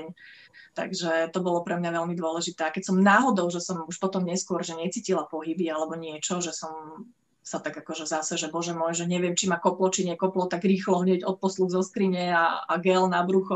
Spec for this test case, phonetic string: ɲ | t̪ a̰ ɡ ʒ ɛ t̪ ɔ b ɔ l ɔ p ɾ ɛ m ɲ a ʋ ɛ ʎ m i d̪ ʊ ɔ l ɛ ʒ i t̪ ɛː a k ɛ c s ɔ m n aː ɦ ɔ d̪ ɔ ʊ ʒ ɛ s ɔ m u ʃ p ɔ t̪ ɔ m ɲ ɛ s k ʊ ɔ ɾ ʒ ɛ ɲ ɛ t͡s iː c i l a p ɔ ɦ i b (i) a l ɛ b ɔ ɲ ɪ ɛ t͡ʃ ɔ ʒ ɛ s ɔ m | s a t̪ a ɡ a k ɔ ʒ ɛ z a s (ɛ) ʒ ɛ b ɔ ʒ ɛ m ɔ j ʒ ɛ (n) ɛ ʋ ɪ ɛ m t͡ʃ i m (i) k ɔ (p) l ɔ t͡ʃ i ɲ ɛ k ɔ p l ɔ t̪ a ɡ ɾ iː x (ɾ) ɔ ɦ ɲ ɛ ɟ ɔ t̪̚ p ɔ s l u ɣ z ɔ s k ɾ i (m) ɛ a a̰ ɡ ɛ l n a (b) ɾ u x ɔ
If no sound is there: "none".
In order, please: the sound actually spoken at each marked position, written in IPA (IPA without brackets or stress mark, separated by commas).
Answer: i, ɛ, ɲ, a, p, l, ɲ, b